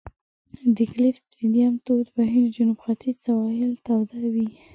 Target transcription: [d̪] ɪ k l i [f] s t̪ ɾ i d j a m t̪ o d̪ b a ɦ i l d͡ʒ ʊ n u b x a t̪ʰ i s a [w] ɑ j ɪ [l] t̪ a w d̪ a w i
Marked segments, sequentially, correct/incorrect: correct, correct, correct, correct

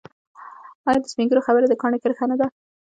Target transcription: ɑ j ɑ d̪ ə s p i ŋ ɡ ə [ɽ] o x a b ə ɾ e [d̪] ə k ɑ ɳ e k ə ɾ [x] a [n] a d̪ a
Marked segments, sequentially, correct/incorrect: incorrect: ɾ, correct, correct, correct

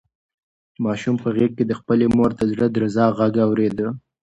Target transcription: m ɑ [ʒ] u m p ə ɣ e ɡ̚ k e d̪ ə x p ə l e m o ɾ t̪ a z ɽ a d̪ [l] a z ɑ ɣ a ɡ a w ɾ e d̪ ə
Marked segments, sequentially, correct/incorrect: incorrect: ʃ, incorrect: ɾ

